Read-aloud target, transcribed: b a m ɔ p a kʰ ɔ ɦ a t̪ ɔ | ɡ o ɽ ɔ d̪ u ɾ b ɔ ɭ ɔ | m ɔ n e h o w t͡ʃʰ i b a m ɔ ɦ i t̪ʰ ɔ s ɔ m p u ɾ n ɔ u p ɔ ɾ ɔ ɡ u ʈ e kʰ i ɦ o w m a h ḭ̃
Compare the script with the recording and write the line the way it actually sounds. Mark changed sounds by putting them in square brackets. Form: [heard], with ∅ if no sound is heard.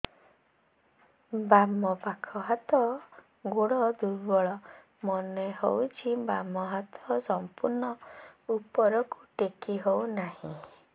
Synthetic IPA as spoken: b a m ɔ p a kʰ ɔ ɦ a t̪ ɔ | ɡ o ɽ ɔ d̪ u ɾ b ɔ ɭ ɔ | m ɔ n e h o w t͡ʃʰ i b a m ɔ ɦ [a] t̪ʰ ɔ s ɔ m p u ɾ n ɔ u p ɔ ɾ ɔ [k] u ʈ e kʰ i ɦ o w [n] a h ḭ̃

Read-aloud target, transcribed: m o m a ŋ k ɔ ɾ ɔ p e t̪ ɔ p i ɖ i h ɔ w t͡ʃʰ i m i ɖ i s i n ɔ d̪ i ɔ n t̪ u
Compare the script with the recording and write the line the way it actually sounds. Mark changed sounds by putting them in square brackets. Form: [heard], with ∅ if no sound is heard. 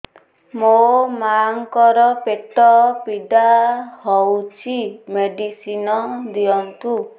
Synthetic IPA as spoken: m o m a ŋ k ɔ ɾ ɔ p e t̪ ɔ p i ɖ [a] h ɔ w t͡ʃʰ i m [e] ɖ i s i n ɔ d̪ i ɔ n t̪ u

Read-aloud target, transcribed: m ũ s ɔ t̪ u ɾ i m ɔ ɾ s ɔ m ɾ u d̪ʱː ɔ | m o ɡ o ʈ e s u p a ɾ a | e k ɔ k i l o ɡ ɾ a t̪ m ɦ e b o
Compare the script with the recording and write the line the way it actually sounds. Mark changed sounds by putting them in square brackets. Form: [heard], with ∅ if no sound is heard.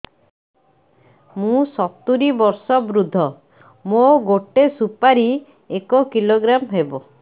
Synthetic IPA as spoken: m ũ s ɔ t̪ u ɾ i [b] ɔ ɾ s ɔ [b] ɾ u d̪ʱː ɔ | m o ɡ o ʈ e s u p a ɾ [i] | e k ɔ k i l o ɡ ɾ a [∅] m ɦ e b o

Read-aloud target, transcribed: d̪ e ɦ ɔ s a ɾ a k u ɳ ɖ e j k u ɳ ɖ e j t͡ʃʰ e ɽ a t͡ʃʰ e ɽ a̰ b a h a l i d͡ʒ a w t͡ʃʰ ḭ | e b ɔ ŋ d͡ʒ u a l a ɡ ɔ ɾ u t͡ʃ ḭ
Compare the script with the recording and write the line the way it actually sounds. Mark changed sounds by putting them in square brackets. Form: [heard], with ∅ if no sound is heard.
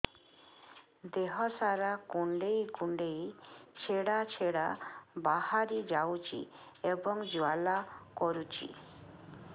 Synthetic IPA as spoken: d̪ e ɦ ɔ s a ɾ a k u ɳ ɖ e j k u ɳ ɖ e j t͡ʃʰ e ɽ a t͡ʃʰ e ɽ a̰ b a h a [ɾ] i d͡ʒ a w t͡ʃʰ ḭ | e b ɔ ŋ d͡ʒ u a l a [k] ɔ ɾ u t͡ʃ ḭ

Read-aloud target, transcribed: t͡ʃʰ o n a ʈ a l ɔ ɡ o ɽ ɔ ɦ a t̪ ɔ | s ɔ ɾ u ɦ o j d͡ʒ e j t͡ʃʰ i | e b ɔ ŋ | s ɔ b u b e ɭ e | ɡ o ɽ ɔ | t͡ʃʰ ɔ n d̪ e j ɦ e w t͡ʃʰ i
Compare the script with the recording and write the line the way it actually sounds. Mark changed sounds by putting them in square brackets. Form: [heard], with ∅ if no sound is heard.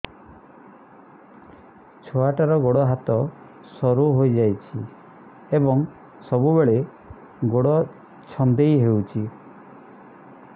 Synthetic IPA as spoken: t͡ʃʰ o [∅] a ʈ a [ɾ] ɔ ɡ o ɽ ɔ ɦ a t̪ ɔ | s ɔ ɾ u ɦ o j d͡ʒ [a] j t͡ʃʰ i | e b ɔ ŋ | s ɔ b u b e ɭ e | ɡ o ɽ ɔ | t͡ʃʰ ɔ n d̪ e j ɦ e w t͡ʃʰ i

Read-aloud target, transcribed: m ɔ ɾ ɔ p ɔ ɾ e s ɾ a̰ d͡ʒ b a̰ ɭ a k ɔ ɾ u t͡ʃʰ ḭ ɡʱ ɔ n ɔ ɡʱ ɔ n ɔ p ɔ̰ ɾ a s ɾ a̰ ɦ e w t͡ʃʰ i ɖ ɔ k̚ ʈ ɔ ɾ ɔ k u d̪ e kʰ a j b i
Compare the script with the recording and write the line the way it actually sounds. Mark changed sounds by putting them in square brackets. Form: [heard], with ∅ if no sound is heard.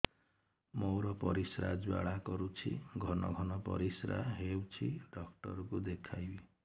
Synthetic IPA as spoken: m [o] ɾ ɔ p ɔ ɾ [i] s ɾ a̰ d͡ʒ b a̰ ɭ a k ɔ ɾ u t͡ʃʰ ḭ ɡʱ ɔ n ɔ ɡʱ ɔ n ɔ p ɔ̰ ɾ [i] s ɾ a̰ ɦ e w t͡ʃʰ i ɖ ɔ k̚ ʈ ɔ ɾ ɔ k u d̪ e kʰ a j b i

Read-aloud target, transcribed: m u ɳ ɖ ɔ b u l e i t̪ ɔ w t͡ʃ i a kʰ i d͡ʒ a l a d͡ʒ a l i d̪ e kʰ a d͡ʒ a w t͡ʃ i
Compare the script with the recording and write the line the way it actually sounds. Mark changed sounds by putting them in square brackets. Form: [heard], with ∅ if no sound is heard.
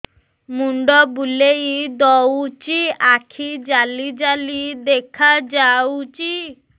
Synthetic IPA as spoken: m u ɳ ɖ ɔ b u l e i [d̪] ɔ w t͡ʃ i a kʰ i d͡ʒ a l [i] d͡ʒ a l i d̪ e kʰ a d͡ʒ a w t͡ʃ i

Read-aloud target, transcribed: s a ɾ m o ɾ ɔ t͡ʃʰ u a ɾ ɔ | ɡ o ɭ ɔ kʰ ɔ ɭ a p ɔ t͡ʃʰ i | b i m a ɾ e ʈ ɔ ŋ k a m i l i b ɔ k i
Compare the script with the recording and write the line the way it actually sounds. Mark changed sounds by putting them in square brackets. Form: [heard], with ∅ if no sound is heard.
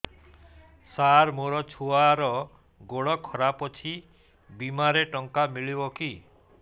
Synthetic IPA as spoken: s a ɾ m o ɾ ɔ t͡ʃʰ u a ɾ ɔ | ɡ o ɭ ɔ kʰ ɔ [ɾ] a p ɔ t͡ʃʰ i | b i m a ɾ e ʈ ɔ ŋ k a m i [ɭ] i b ɔ k i

